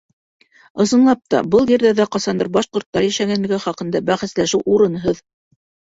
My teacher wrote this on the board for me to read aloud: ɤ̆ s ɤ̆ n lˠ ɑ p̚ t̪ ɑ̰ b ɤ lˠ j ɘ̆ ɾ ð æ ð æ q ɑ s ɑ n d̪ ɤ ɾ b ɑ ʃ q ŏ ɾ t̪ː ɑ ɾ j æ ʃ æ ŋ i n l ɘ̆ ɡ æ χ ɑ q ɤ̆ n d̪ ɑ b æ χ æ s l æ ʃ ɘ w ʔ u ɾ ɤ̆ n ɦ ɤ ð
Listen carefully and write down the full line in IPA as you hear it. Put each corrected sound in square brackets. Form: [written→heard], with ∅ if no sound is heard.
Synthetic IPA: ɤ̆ s ɤ̆ n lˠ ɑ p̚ t̪ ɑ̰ b ɤ lˠ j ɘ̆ ɾ ð æ ð æ q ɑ s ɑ n d̪ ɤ ɾ b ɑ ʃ q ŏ ɾ t̪ː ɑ ɾ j æ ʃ æ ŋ [i→æ] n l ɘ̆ ɡ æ χ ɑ q ɤ̆ n d̪ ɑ b æ χ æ s l æ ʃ ɘ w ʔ u ɾ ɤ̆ n ɦ ɤ ð